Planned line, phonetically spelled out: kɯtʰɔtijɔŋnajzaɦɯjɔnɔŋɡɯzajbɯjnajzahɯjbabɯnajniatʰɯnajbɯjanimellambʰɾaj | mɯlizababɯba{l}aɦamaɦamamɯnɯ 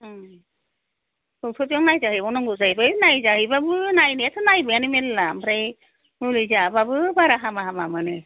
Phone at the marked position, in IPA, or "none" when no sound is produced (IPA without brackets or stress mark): ɾ